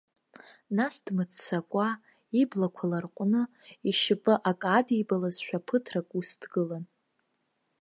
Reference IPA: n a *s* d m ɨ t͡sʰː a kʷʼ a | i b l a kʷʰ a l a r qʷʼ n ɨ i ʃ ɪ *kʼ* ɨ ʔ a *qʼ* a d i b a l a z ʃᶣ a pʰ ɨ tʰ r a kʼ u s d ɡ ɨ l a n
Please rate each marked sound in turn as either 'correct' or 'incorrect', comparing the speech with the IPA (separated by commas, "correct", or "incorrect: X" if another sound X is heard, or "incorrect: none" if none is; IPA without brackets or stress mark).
correct, incorrect: pʼ, incorrect: kʼ